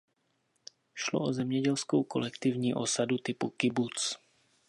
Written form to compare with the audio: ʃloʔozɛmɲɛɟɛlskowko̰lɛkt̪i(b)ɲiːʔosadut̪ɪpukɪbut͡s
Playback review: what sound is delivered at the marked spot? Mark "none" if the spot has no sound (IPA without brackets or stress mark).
v